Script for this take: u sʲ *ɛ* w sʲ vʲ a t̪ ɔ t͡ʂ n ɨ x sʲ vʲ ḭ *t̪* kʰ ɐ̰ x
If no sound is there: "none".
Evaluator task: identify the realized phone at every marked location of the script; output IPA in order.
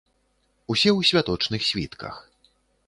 ɛ, t̪

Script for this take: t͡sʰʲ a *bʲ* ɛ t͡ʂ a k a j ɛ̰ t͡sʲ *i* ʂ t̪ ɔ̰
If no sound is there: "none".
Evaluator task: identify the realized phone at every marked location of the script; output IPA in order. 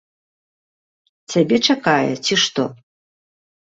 bʲ, i

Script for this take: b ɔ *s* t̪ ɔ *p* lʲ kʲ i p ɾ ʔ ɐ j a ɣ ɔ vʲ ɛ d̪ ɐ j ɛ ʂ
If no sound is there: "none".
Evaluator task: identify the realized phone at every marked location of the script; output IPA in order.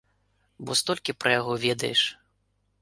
s, none

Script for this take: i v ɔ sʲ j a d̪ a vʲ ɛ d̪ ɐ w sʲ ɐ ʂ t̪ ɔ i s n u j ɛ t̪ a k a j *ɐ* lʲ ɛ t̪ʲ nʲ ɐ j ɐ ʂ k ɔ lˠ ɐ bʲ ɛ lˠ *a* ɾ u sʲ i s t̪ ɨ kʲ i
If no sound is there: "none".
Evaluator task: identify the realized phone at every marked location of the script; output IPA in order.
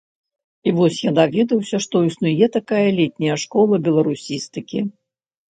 ɐ, ɐ

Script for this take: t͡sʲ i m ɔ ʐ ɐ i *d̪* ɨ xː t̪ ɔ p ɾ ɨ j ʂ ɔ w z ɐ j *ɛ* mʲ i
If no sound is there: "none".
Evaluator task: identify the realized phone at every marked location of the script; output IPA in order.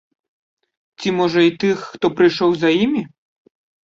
t̪, i

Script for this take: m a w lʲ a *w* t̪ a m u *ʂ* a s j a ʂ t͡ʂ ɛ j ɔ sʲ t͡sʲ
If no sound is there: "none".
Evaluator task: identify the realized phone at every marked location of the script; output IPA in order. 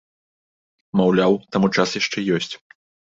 w, t͡ʂ

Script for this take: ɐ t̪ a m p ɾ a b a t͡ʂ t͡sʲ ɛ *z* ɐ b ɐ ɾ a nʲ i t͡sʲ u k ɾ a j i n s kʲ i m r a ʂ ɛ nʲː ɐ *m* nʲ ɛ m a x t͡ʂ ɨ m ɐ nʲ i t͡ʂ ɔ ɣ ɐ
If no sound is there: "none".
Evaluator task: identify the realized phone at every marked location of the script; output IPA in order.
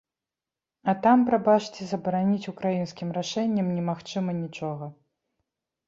z, m

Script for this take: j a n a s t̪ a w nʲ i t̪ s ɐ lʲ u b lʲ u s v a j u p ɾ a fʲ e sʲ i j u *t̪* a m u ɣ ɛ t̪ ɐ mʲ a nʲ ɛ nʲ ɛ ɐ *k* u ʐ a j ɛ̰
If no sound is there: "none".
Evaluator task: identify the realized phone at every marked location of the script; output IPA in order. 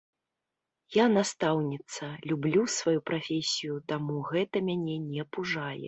t̪, p

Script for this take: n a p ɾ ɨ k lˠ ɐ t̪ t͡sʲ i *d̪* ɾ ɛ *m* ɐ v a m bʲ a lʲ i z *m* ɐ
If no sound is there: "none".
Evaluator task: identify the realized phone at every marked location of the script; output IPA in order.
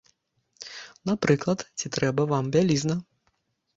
t̪, b, n

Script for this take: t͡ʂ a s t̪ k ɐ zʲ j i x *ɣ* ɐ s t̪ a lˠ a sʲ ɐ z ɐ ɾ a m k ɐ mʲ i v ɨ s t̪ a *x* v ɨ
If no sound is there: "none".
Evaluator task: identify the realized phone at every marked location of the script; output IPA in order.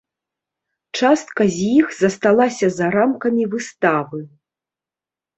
z, none

